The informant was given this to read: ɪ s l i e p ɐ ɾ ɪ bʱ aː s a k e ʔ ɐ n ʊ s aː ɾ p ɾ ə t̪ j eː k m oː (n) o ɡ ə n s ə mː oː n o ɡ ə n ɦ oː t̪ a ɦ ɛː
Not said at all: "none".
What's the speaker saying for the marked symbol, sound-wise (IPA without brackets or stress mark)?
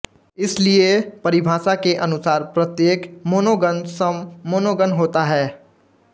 n